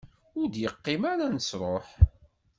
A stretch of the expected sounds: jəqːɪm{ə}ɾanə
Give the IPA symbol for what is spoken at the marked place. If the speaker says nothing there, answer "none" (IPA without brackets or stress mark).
a